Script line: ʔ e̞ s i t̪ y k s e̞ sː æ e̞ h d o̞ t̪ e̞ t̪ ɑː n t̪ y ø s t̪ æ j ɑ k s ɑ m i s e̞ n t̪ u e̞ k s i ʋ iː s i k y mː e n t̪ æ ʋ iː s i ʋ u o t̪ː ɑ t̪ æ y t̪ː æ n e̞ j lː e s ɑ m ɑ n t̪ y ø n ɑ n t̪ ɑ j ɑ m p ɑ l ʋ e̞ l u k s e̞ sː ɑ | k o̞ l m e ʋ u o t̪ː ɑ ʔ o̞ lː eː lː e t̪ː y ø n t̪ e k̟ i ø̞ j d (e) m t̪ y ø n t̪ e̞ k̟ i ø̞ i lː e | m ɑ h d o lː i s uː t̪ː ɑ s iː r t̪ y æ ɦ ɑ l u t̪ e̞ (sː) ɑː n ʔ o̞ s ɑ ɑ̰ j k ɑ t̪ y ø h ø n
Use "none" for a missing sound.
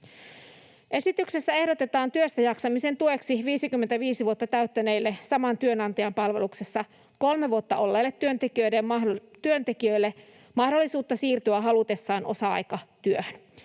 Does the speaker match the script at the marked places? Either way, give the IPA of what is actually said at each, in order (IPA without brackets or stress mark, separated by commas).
e, sː